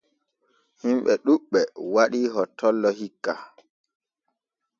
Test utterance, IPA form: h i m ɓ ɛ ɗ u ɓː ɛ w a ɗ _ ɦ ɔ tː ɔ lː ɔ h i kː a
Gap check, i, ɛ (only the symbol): i